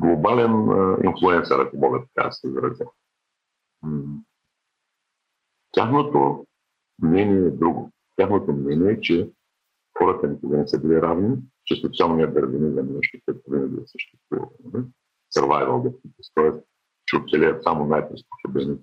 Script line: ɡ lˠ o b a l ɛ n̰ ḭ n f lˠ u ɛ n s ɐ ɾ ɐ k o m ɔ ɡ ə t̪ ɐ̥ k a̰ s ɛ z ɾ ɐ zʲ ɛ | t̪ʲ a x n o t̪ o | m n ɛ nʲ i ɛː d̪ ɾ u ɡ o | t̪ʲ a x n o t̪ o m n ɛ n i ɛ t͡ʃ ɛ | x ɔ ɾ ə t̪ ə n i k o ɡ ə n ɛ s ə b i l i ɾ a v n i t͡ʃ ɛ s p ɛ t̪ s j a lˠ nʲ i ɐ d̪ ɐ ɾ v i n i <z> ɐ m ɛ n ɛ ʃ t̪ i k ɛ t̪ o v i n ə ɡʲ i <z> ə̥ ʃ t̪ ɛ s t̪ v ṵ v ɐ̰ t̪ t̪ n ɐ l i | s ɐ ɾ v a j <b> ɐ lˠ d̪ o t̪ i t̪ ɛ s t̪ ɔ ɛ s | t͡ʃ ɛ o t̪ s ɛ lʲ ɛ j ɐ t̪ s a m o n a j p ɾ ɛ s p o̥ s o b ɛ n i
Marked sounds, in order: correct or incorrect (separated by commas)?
correct, incorrect, incorrect